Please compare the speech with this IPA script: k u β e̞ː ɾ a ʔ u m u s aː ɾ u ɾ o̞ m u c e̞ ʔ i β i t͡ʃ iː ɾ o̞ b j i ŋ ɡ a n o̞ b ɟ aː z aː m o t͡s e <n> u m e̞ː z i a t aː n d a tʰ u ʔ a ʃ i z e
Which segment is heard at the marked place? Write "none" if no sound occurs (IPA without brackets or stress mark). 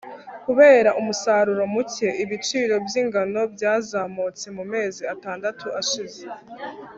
m